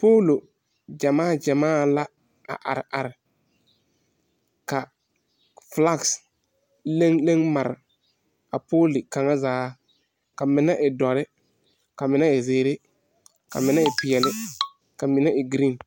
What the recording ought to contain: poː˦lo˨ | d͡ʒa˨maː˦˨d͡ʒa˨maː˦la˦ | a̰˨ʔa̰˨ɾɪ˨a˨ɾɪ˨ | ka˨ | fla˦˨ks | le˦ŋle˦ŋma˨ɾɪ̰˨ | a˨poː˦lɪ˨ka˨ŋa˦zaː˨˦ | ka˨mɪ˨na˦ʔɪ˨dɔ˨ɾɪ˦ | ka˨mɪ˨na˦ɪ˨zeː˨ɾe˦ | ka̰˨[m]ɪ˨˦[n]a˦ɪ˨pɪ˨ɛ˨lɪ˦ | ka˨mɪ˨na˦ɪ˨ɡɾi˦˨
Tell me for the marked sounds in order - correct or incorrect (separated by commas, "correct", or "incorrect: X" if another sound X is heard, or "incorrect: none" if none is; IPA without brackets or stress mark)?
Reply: correct, correct